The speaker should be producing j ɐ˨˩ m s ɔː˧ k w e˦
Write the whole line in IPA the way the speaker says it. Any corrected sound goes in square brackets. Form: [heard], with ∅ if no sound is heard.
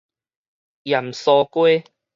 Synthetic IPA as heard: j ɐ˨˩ m s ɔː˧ k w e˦

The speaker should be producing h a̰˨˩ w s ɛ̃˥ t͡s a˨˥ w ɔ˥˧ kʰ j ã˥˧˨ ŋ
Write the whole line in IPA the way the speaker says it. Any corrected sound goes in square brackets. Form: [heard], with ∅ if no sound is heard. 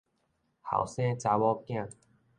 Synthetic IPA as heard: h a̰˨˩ w s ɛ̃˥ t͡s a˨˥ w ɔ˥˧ [k] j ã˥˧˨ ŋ

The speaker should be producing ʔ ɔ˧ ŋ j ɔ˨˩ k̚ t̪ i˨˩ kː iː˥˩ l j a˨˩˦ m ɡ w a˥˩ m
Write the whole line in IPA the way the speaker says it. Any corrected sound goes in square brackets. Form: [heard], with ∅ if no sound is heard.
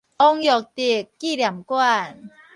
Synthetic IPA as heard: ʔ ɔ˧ ŋ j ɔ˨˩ k̚ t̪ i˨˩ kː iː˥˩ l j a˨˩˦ m [k] w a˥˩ [n]

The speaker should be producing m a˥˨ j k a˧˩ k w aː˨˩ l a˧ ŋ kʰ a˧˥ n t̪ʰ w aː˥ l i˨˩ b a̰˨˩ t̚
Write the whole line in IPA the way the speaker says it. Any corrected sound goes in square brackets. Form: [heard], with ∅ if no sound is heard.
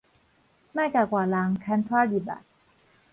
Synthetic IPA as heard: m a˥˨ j k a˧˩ k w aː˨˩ l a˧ ŋ kʰ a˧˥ n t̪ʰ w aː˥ l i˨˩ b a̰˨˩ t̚

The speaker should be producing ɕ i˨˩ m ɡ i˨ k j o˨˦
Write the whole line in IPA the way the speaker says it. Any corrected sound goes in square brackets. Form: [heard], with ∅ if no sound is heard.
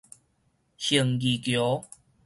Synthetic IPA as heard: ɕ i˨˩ [ŋ] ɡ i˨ k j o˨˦

